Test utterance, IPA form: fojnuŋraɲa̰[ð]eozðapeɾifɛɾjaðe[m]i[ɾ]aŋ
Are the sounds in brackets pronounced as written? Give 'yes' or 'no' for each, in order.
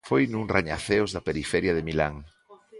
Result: no, yes, no

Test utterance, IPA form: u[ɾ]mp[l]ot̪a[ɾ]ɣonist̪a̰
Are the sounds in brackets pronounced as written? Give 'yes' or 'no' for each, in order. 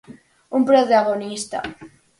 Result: no, no, no

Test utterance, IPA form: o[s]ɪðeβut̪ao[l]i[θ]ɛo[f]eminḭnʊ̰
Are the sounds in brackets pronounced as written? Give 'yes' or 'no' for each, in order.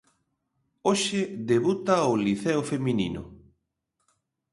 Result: no, yes, yes, yes

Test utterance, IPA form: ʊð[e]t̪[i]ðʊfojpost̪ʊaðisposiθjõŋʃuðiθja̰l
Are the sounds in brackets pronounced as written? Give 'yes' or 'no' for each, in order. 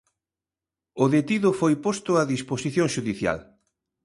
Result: yes, yes

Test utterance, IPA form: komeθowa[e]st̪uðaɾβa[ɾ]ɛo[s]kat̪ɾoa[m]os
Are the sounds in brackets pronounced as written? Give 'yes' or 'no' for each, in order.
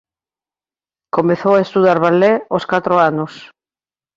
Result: yes, no, yes, no

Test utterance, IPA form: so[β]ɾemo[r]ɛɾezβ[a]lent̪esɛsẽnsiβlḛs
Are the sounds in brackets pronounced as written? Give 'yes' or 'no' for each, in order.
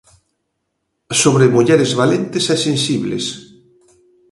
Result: yes, no, yes

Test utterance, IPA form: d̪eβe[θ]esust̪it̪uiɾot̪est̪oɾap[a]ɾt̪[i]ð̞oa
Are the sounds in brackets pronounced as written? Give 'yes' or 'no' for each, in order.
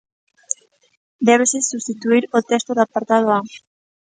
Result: no, yes, no

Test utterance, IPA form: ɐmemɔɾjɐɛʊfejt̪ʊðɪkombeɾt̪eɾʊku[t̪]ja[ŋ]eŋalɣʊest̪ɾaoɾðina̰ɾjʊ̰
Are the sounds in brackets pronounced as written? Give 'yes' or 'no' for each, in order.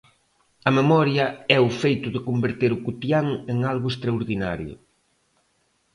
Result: yes, yes

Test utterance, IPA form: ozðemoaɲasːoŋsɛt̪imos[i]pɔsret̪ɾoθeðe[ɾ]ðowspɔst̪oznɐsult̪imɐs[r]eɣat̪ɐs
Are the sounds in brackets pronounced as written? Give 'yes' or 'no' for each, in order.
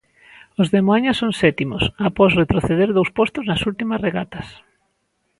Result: no, yes, yes

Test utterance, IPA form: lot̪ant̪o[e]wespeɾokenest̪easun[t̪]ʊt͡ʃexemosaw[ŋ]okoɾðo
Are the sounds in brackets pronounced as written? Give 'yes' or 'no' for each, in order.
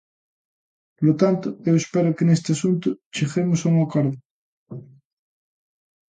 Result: yes, yes, yes

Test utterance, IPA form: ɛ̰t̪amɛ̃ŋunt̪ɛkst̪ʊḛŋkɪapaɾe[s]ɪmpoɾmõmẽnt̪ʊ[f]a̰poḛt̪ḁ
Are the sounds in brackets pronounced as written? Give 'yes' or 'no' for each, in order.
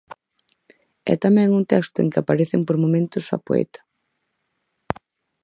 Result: no, no

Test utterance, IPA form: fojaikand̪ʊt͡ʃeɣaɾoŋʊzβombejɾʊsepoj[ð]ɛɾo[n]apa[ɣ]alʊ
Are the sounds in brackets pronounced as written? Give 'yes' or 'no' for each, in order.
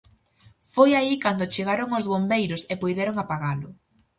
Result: yes, no, yes

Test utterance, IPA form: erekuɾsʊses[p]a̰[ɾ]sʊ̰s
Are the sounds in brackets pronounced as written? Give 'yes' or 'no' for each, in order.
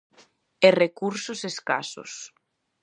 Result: no, no

